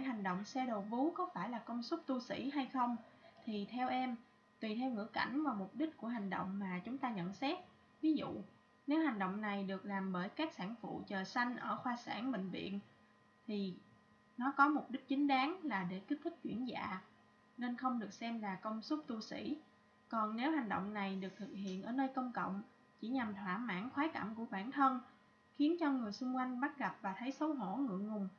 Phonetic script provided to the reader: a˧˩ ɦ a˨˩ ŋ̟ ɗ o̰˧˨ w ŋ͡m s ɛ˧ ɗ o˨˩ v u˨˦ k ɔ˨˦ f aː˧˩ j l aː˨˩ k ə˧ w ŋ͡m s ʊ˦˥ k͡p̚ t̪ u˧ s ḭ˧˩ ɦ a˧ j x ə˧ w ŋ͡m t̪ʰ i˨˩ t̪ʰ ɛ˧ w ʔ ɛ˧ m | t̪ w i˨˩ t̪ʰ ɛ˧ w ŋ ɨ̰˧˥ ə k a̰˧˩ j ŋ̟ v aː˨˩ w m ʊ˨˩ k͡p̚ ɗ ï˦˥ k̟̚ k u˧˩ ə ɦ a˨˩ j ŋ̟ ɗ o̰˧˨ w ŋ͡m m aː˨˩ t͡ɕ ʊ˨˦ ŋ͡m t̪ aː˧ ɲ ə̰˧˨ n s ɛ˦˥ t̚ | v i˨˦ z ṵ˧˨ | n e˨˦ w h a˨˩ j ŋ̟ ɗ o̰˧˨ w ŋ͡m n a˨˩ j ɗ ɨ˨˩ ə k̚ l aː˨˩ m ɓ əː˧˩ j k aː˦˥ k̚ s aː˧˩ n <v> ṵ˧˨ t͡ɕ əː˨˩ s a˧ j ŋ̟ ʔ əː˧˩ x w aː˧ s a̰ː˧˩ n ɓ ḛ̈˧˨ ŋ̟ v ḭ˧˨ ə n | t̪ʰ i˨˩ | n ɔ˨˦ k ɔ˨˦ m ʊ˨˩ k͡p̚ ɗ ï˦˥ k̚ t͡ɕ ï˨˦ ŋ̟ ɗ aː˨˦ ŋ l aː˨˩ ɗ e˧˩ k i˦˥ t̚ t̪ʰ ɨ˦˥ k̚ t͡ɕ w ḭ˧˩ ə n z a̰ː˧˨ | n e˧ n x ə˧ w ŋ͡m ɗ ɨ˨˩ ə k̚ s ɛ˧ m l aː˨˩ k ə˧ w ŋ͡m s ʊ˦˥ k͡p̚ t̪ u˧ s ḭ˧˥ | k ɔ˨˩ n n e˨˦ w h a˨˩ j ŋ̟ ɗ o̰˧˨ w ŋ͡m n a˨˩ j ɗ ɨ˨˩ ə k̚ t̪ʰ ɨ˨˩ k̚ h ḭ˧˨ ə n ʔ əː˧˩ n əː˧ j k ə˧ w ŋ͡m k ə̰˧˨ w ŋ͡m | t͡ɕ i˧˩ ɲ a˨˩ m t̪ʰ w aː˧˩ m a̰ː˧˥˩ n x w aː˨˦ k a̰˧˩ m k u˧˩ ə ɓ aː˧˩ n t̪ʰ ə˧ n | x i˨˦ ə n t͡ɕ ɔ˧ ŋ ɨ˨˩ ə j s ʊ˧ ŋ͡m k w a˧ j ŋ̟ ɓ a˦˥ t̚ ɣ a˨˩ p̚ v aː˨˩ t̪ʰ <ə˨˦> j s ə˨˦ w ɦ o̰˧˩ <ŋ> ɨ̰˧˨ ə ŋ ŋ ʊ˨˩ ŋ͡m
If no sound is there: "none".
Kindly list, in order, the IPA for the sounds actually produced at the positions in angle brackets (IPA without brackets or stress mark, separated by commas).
f, ə˨˦, ŋ